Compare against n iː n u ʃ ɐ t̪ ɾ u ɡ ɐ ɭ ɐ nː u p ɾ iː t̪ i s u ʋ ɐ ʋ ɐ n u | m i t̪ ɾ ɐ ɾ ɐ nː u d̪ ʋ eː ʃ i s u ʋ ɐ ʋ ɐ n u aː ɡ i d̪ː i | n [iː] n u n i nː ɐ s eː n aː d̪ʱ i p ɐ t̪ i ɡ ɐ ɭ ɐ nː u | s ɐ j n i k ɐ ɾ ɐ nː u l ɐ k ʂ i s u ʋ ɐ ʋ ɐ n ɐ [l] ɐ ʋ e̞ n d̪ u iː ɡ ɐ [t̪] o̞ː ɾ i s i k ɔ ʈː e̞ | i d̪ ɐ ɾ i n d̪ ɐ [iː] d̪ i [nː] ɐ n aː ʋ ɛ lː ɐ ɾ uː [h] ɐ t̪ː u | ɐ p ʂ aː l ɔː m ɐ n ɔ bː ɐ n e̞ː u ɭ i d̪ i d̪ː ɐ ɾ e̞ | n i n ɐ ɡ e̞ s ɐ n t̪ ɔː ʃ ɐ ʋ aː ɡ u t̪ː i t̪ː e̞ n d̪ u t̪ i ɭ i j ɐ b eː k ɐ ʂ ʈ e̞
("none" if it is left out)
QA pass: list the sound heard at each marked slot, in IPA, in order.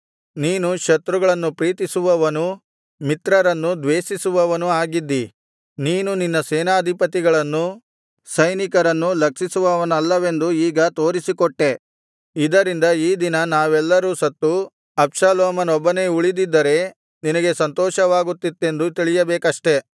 iː, lː, t̪, iː, n, s

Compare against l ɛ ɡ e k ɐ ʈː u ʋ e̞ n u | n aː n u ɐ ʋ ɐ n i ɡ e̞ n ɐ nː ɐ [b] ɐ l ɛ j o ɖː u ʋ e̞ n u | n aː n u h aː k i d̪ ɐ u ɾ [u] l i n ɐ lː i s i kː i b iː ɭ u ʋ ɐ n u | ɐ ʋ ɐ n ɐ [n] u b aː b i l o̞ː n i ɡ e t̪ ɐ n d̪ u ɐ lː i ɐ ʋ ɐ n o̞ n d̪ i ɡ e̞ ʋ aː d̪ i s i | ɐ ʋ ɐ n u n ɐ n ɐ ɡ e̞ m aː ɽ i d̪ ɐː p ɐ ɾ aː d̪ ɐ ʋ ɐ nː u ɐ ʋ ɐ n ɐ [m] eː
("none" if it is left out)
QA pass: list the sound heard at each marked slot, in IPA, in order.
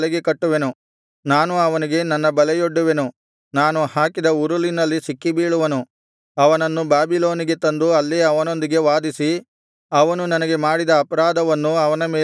b, u, nː, m

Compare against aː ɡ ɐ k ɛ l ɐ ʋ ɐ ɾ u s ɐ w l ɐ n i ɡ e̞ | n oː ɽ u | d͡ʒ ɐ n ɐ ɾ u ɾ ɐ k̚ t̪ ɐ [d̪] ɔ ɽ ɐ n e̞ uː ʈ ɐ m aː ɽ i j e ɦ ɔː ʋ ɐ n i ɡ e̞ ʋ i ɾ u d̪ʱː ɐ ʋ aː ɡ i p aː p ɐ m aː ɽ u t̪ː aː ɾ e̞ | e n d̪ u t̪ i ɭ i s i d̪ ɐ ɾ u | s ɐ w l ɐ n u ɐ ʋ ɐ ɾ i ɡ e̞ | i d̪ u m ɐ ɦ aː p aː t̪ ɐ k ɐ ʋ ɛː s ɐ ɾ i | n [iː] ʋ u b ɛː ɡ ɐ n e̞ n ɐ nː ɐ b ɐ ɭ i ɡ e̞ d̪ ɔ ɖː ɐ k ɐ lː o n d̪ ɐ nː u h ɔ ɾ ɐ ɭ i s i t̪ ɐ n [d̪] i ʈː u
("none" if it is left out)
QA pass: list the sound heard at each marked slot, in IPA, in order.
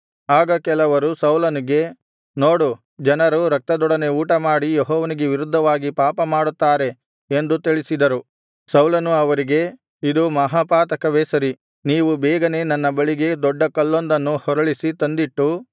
d̪, iː, d̪

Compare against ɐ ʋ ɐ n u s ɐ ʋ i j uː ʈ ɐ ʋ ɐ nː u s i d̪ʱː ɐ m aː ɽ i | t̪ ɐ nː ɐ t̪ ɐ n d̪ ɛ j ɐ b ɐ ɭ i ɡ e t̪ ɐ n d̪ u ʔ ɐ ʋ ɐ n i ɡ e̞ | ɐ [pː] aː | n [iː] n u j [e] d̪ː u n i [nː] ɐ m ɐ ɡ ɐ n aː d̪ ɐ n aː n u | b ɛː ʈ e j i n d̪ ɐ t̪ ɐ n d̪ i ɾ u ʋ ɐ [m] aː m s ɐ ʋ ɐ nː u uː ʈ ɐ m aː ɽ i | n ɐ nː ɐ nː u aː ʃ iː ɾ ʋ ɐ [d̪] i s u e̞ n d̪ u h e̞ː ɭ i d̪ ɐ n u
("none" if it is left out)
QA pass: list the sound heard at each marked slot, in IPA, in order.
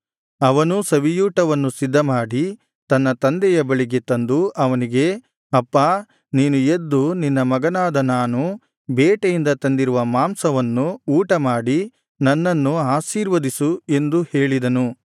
pː, iː, e, nː, m, d̪

